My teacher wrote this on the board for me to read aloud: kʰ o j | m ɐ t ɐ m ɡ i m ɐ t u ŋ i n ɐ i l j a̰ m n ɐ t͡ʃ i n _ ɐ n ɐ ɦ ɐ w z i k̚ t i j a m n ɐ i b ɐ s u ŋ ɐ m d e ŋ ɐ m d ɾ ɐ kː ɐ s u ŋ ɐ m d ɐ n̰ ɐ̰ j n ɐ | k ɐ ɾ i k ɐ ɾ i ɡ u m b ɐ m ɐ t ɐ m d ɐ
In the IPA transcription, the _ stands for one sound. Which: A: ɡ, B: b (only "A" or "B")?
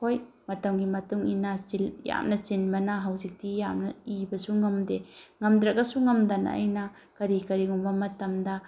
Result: B